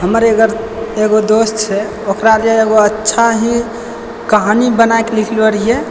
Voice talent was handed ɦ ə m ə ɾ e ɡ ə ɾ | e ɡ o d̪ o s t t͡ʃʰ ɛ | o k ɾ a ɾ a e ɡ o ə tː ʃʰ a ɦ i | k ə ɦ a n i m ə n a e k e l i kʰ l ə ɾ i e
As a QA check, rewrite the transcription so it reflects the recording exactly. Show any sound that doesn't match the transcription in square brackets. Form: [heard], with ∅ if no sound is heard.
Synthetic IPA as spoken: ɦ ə m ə ɾ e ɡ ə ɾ | e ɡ o d̪ o s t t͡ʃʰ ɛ | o k ɾ a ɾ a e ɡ o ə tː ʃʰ a ɦ i | k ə ɦ a n i [b] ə n a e k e l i kʰ l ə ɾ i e